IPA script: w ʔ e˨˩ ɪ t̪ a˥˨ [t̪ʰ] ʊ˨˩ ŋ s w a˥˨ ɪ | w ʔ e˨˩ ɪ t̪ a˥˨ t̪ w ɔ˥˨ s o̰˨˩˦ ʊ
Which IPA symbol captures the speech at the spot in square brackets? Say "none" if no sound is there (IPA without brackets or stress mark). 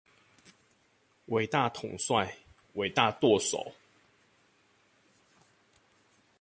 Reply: t̪ʰ